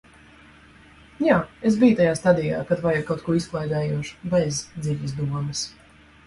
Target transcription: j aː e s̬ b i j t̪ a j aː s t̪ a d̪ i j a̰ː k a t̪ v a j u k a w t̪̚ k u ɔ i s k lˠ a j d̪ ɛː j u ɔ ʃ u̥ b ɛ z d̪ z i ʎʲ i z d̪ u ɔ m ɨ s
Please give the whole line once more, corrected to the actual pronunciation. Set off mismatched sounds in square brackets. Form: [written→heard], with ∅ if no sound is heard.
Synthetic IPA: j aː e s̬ b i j t̪ a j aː s t̪ a d̪ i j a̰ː k a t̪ v a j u k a w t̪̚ k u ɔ i s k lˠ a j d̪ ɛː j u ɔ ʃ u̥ b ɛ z d̪ z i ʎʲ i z d̪ u ɔ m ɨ s

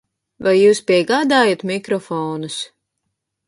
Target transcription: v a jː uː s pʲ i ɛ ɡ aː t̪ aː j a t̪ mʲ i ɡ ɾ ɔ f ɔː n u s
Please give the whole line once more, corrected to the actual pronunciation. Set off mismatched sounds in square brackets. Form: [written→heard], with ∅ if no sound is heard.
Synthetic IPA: v a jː uː s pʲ i ɛ ɡ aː [t̪→d̪] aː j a t̪ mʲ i [ɡ→k] ɾ ɔ f ɔː n u s

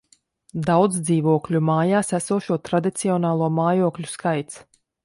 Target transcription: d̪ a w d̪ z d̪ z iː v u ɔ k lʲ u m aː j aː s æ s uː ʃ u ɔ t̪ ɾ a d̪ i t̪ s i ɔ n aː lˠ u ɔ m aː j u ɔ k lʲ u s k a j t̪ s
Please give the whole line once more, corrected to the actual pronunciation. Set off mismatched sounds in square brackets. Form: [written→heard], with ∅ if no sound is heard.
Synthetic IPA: d̪ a w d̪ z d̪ z iː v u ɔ k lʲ u m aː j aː s æ s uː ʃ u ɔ t̪ ɾ a d̪ i t̪ s i ɔ n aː lˠ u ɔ m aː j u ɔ k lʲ u s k a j t̪ s

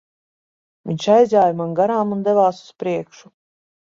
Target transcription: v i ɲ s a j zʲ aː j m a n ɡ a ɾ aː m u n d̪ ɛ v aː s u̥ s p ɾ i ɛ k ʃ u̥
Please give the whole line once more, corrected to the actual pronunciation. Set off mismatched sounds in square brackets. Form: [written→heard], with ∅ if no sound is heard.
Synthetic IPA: v i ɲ [s→ʃ] a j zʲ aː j m a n ɡ a ɾ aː m u n d̪ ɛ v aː s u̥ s p ɾ i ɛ k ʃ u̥

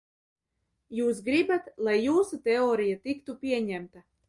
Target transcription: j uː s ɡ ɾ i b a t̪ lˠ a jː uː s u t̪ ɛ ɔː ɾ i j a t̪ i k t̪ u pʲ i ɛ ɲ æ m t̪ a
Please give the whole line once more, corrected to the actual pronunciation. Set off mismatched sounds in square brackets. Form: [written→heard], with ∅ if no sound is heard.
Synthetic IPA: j uː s ɡ ɾ i b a t̪ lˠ a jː uː s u t̪ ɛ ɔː ɾ i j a t̪ i k t̪ u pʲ i ɛ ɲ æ m t̪ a

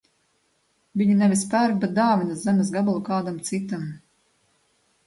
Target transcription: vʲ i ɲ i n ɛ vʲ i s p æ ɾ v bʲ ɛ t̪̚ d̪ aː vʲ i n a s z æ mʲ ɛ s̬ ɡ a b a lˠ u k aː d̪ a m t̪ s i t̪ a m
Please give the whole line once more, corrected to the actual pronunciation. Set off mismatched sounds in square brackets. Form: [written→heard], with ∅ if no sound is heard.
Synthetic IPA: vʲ i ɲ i n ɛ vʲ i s p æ ɾ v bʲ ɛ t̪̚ d̪ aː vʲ i n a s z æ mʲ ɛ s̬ ɡ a b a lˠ u k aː d̪ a m t̪ s i t̪ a m

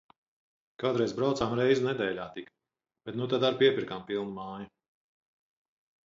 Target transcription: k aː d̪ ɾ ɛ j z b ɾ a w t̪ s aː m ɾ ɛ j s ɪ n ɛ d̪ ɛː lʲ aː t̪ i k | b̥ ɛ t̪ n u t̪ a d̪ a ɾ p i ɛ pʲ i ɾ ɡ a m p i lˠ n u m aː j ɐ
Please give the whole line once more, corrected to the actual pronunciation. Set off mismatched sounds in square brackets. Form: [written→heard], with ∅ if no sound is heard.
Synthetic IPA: k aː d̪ ɾ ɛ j z b ɾ a w t̪ s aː m ɾ ɛ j [s→z] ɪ n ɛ d̪ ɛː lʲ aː t̪ i k | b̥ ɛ t̪ n u t̪ a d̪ a ɾ p i ɛ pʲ i ɾ [ɡ→k] a m p i lˠ n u m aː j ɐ

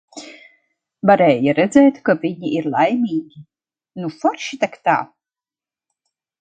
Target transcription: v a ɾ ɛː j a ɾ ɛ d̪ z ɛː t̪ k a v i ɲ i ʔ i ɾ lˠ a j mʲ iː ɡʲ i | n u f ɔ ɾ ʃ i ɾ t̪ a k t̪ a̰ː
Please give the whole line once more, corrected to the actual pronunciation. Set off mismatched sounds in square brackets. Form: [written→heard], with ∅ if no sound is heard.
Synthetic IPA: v a ɾ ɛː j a ɾ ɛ d̪ z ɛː t̪ k a v i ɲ i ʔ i ɾ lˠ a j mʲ iː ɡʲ i | n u f ɔ ɾ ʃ i [ɾ→∅] t̪ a k t̪ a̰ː

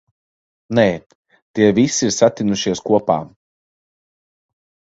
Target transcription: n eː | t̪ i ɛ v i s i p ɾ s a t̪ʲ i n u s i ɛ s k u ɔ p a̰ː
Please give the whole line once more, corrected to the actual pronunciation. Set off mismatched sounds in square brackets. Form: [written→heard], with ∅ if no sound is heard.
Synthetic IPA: n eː | t̪ i ɛ v i s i [p→∅] ɾ s a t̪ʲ i n u [s→ʃ] i ɛ s k u ɔ p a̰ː

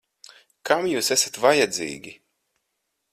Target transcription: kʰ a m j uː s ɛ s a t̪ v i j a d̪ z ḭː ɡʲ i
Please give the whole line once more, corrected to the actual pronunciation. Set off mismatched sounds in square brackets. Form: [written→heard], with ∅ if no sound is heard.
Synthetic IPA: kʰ a m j uː s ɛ s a t̪ v [i→a] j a d̪ z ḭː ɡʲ i

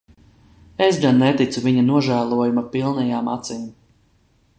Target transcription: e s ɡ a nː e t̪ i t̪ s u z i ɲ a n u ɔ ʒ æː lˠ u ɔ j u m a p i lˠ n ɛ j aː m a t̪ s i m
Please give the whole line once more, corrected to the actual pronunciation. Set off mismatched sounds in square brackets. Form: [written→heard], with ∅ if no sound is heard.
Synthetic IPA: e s ɡ a nː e t̪ i t̪ s u [z→v] i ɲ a n u ɔ ʒ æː lˠ u ɔ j u m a p i lˠ n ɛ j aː m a t̪ s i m

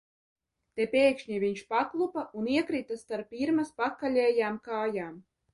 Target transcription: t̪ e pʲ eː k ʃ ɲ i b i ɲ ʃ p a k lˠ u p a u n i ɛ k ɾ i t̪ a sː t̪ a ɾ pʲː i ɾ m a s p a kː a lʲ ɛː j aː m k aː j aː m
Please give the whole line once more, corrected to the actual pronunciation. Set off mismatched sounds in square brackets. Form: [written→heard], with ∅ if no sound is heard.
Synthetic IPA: t̪ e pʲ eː k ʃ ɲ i [b→v] i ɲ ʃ p a k lˠ u p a u n i ɛ k ɾ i t̪ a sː t̪ a ɾ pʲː i ɾ m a s p a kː a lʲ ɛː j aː m k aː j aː m

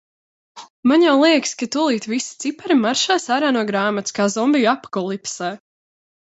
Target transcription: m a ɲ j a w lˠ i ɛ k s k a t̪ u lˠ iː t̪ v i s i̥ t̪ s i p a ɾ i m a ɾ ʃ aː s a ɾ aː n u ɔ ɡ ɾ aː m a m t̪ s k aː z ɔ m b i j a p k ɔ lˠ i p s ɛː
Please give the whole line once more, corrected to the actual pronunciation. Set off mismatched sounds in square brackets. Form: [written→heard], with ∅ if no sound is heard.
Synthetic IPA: m a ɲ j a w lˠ i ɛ k s k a t̪ u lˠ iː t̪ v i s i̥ t̪ s i p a ɾ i m a ɾ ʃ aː s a ɾ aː n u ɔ ɡ ɾ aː m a [m→∅] t̪ s k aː z ɔ m b i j a p k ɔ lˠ i p s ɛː

